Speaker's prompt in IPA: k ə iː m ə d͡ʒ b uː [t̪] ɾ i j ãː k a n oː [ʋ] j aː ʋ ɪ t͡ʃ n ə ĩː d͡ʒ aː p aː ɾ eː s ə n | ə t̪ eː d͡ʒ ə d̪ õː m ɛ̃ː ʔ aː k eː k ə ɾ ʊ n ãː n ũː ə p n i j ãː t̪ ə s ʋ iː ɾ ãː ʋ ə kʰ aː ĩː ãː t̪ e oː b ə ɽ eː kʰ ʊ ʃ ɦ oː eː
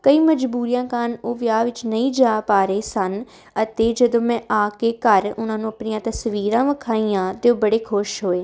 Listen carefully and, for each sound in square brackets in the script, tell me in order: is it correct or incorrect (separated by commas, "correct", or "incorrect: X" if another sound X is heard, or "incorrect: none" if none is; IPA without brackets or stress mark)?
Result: incorrect: none, correct